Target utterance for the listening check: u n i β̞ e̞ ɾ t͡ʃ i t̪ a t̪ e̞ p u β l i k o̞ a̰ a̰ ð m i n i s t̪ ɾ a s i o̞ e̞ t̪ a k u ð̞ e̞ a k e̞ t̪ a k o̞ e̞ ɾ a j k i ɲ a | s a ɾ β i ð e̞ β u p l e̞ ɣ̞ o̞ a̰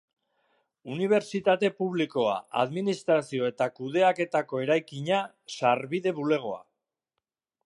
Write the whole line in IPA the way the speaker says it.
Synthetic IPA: u n i β̞ e̞ ɾ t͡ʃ i t̪ a t̪ e̞ p u β l i k o̞ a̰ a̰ ð m i n i s t̪ ɾ a s i o̞ e̞ t̪ a k u ð̞ e̞ a k e̞ t̪ a k o̞ e̞ ɾ a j k i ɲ a | s a ɾ β i ð e̞ β u l e̞ ɣ̞ o̞ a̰